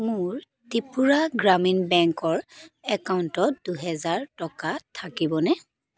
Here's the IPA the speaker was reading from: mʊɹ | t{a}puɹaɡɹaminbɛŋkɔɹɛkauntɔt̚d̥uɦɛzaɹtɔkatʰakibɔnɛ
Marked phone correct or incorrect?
incorrect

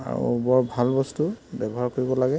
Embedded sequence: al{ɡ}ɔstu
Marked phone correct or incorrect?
incorrect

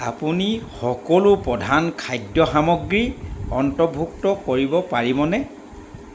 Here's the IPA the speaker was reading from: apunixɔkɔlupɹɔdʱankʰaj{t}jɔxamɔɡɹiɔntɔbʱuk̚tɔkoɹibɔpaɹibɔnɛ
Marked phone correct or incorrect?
incorrect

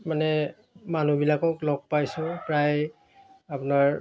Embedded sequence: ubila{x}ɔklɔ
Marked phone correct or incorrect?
incorrect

